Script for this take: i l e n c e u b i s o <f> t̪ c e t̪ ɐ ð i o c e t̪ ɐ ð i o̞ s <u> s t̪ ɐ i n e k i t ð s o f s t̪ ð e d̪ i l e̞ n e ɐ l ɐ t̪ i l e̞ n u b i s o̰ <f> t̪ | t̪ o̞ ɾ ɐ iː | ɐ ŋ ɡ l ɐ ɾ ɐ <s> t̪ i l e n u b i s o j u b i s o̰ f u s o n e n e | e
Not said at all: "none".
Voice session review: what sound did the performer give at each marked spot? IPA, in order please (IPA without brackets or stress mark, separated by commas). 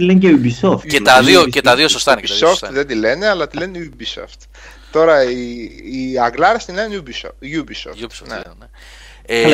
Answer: f, o, f, s